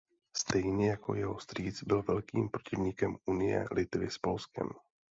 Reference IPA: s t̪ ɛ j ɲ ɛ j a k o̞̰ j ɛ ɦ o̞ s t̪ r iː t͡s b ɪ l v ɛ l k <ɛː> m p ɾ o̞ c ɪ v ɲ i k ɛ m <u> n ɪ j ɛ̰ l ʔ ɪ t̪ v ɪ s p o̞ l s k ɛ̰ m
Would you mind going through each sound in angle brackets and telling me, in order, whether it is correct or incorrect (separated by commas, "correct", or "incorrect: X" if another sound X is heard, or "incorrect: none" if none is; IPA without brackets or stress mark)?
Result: incorrect: iː, correct